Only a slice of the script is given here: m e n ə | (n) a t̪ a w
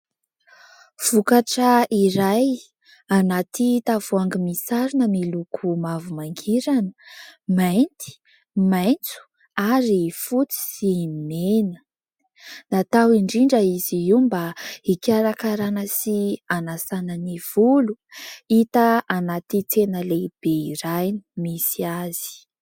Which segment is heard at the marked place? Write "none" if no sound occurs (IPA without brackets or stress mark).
n